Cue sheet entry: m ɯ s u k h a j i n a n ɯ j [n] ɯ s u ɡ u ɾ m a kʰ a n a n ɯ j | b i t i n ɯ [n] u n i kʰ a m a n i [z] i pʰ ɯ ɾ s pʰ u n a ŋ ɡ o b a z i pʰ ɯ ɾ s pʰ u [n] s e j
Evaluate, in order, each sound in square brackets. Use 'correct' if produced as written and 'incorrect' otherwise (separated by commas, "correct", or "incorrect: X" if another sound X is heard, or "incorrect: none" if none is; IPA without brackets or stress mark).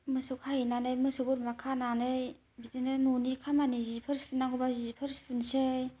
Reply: incorrect: m, correct, correct, correct